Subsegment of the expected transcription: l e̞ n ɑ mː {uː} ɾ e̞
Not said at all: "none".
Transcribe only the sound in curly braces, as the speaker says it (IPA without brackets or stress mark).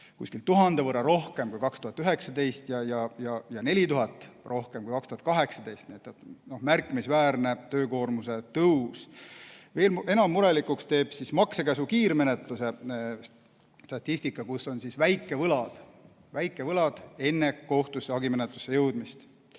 u